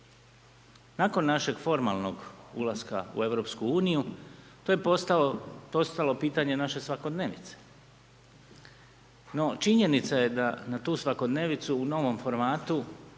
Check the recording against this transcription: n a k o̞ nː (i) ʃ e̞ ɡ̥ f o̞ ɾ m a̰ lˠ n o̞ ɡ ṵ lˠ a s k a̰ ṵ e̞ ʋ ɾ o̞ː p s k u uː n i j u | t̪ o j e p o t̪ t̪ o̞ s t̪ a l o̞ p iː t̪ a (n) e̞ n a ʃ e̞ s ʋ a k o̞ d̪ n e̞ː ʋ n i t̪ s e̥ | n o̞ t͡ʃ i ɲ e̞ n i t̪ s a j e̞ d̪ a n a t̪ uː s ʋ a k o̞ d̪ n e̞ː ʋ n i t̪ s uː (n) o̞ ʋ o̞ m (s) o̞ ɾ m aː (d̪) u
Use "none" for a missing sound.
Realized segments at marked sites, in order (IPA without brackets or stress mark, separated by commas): a, ɲ, n, f, t̪